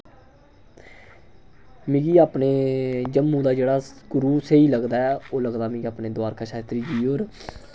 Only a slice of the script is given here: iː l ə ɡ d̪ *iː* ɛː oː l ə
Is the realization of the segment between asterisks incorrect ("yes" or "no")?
yes